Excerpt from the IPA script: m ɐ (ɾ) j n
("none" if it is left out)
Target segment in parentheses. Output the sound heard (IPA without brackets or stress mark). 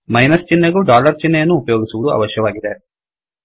none